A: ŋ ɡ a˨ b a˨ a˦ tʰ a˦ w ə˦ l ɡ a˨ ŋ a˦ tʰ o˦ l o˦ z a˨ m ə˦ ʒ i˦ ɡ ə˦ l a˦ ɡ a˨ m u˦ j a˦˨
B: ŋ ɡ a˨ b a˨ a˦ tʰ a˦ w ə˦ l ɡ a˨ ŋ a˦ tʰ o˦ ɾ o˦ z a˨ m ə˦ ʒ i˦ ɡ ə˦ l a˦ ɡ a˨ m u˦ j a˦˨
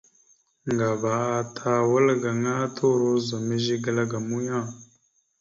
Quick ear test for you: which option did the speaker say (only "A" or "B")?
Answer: B